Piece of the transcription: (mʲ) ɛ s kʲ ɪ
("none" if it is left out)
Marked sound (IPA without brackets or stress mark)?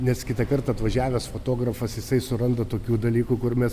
nʲ